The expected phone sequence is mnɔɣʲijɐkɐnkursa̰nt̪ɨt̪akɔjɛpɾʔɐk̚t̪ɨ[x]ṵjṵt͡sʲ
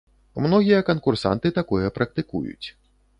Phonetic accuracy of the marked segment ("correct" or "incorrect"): incorrect